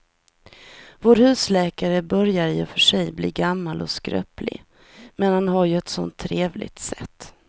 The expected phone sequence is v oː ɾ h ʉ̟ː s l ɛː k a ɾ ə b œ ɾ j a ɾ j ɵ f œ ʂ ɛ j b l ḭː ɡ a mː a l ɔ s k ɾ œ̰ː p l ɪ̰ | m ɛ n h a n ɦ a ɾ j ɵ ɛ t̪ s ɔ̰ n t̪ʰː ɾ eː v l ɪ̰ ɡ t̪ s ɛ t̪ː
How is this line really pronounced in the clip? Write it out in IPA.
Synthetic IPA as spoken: v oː ɾ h ʉ̟ː s l ɛː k a ɾ ə b œ ɾ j a ɾ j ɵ f œ ʂ ɛ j b l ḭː ɡ a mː a l ɔ s k ɾ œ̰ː p l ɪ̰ | m ɛ n h a n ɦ a ɾ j ɵ ɛ t̪ s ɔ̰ n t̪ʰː ɾ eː v l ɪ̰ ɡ t̪ s ɛ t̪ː